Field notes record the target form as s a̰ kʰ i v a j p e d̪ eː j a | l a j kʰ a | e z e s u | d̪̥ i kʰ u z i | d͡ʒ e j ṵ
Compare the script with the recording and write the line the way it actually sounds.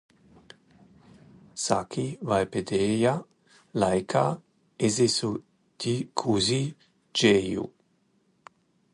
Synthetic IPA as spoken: s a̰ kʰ i v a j p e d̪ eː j a | l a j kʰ a | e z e s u | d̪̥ i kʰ u z i | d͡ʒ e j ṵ